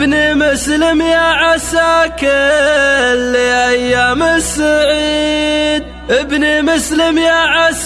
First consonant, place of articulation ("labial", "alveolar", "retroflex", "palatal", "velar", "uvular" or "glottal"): alveolar